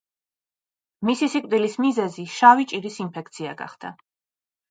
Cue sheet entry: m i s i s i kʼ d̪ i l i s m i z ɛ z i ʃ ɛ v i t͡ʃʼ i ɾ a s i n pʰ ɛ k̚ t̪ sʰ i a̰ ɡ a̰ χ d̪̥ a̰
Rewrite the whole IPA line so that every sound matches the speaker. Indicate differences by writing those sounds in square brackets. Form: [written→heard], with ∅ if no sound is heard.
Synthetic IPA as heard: m i s i s i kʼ d̪ i l i s m i z ɛ z i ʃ [ɛ→a] v i t͡ʃʼ i ɾ [a→i] s i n pʰ ɛ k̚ t̪ sʰ i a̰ ɡ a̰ χ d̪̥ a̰